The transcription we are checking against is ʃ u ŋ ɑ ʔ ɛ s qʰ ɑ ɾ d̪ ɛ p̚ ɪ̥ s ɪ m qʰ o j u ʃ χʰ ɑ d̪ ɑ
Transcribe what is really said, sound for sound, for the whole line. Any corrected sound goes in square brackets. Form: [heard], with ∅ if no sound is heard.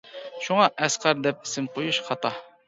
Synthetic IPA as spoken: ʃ u ŋ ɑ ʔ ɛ s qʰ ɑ ɾ d̪ ɛ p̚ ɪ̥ s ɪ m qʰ o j u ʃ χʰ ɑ [t̪] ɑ